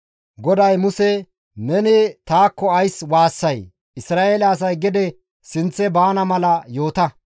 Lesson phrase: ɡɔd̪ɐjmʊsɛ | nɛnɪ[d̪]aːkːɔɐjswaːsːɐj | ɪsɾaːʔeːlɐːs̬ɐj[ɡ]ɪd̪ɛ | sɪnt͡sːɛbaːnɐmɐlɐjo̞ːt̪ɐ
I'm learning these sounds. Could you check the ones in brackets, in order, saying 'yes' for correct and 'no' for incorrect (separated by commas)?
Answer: no, yes